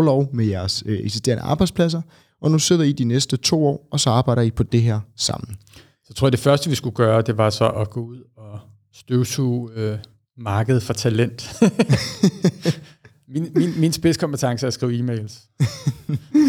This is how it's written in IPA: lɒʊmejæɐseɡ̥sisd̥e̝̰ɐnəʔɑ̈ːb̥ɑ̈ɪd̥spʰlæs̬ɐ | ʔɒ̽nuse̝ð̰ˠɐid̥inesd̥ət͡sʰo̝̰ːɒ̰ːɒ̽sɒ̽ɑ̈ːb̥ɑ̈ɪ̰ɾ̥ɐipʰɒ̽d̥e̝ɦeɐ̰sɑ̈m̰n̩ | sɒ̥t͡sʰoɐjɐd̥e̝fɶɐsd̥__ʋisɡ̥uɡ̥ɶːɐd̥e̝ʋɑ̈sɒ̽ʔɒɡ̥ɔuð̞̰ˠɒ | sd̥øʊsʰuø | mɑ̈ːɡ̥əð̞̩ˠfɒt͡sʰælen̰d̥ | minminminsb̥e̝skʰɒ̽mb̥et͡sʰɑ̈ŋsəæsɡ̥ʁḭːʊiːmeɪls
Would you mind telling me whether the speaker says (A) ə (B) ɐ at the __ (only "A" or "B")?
A